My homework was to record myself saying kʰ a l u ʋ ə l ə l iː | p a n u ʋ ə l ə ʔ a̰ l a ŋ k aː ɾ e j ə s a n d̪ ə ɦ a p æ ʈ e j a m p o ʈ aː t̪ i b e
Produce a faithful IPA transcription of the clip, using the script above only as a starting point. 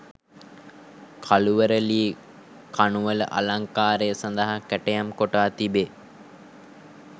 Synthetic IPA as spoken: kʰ a l u ʋ ə ɾ ə l iː | k a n u ʋ ə l ə ʔ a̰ l a ŋ k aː ɾ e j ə s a n d̪ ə ɦ a k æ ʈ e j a m k o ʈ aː t̪ i b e